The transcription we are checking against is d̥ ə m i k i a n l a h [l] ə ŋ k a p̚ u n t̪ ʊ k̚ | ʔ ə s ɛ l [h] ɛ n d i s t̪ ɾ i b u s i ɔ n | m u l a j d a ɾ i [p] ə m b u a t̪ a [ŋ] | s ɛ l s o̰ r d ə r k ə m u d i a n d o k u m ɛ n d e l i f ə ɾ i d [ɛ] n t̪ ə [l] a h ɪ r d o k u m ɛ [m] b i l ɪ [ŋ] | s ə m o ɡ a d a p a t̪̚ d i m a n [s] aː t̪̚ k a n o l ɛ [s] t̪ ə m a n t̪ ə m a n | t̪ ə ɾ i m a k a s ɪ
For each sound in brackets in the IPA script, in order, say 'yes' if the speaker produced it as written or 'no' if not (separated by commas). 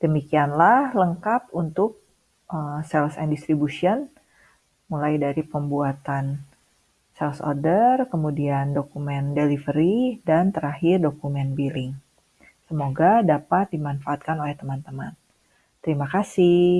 yes, no, yes, no, no, no, no, yes, no, no